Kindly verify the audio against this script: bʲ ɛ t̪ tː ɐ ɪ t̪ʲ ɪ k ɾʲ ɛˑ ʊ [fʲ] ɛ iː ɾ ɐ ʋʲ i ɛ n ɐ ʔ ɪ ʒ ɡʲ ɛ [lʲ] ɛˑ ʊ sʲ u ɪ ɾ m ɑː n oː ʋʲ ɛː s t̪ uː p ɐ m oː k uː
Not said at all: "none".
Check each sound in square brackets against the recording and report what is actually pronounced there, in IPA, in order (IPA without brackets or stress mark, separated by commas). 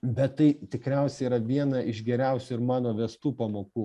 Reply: sʲ, ɾʲ